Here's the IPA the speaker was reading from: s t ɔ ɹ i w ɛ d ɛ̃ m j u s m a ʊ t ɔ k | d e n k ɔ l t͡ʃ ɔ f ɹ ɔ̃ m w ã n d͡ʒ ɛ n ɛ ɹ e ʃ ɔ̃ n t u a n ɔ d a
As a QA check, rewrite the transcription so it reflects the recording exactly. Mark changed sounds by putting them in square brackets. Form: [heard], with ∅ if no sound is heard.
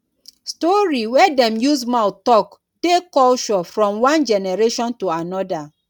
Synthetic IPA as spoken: s t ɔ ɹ i w ɛ d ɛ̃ m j u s m a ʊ t ɔ k | d e [∅] k ɔ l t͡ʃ ɔ f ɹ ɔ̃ m w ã n d͡ʒ ɛ n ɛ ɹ e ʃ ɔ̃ n t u a n ɔ d a